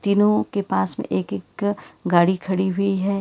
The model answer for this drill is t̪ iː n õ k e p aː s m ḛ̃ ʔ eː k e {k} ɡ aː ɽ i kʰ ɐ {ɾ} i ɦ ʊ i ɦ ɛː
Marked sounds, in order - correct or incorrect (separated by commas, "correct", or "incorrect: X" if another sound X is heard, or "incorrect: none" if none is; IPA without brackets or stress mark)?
correct, incorrect: ɽ